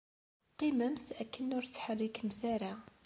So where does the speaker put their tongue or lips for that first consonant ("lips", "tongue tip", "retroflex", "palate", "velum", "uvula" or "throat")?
uvula